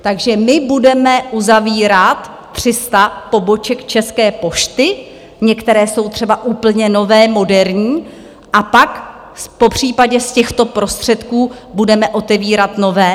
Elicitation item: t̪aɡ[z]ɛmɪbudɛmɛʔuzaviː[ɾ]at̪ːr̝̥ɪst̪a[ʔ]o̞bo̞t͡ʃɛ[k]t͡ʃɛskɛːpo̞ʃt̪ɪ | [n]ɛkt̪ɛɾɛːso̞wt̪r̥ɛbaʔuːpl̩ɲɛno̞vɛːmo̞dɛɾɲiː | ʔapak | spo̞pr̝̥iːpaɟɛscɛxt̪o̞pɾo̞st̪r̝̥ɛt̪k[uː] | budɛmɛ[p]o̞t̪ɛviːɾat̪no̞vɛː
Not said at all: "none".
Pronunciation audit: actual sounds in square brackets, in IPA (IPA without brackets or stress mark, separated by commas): ʒ, ɾ, p, k, ɲ, uː, ʔ